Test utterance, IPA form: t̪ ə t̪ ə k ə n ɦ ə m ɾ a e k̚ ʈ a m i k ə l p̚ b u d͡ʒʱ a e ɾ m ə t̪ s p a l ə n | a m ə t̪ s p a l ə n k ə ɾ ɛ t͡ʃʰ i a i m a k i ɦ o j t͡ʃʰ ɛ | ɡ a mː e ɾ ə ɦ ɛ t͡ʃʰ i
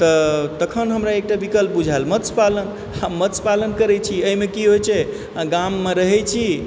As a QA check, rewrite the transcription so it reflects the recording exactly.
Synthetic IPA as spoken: t̪ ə t̪ ə kʰ ə n ɦ ə m ɾ a e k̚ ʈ a b i k ə l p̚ b u d͡ʒʱ a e l m ə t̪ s p a l ə n | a m ə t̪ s p a l ə n k ə ɾ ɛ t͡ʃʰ i ə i m e k i ɦ o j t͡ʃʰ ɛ | ɡ a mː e ɾ ə ɦ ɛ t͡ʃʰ i